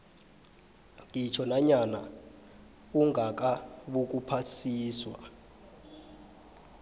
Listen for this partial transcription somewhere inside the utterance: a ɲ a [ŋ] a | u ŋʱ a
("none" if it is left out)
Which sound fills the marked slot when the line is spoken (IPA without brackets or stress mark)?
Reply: n